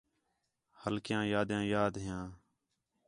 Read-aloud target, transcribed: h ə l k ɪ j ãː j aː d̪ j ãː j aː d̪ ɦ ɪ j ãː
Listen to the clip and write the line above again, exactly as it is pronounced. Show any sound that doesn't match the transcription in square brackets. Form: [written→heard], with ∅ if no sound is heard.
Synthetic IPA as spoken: h ə l k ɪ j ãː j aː d̪ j ãː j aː d̪ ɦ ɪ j ãː